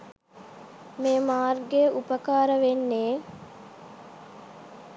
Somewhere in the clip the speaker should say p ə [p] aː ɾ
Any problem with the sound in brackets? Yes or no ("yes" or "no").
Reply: yes